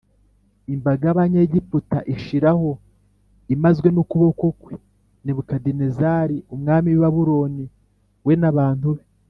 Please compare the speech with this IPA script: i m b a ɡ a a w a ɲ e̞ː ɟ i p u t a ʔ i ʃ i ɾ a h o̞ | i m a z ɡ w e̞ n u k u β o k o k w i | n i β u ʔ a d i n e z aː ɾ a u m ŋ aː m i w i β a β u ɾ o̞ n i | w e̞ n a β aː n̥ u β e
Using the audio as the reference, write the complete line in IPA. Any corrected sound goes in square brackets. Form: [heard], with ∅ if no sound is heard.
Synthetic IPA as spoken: i m b a ɡ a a [β] a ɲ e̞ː ɟ i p u t a ʔ i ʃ i ɾ a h o̞ | i m a z ɡ w e̞ n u k u β o k o k w [e] | n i β u [k] a d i n e z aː ɾ [i] u m ŋ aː m i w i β a β u ɾ o̞ n i | w e̞ n a β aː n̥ u β e